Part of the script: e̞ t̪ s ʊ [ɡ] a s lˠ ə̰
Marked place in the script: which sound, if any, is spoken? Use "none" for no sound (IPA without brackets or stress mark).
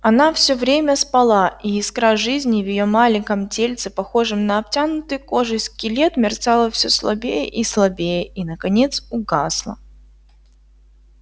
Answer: ɡ